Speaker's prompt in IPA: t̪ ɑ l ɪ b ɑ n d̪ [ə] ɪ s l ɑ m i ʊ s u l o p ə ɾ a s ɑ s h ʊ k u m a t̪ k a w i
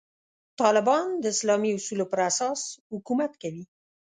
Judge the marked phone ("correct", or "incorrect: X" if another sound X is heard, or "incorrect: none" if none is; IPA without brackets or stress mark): correct